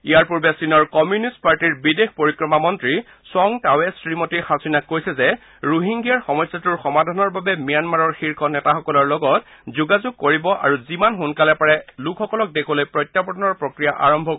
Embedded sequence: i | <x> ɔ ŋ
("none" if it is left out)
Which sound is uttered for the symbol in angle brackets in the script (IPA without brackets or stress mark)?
s